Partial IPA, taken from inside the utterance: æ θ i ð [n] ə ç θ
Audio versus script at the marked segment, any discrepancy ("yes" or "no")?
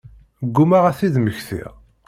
yes